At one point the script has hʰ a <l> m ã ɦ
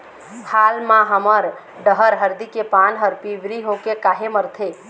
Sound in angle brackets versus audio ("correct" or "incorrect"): correct